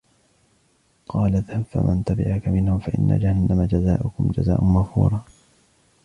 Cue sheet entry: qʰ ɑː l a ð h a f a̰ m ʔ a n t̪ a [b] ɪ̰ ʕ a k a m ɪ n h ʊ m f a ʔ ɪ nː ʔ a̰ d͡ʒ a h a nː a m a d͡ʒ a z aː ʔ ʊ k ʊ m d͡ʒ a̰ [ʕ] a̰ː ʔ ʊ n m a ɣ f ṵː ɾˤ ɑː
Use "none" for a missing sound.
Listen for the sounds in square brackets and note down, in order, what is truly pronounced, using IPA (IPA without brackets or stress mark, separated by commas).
b, z